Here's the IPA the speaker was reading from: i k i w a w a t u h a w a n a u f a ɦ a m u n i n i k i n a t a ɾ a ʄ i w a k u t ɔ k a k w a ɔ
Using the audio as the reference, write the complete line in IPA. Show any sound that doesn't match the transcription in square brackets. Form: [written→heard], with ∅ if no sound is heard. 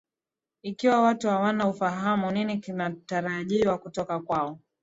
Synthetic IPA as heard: i k i w a w a t u h a w a n a u f a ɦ a m u n i n i k i n a t a ɾ a ʄ i w a k u t ɔ k a k w a ɔ